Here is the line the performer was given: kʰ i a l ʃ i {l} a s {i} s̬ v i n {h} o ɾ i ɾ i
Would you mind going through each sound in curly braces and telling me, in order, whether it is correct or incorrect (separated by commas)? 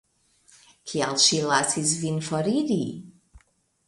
correct, correct, incorrect